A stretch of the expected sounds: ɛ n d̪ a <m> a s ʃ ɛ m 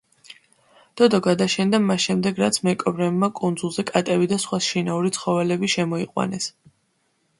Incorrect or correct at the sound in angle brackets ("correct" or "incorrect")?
correct